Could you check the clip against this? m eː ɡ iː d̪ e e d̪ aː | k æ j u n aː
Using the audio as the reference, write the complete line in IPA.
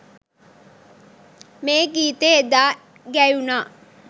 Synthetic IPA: m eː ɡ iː t̪ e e d̪ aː | ɡ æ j u n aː